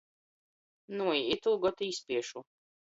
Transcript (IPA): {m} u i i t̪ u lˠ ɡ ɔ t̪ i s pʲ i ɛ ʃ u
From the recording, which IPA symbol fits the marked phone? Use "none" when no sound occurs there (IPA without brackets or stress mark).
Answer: n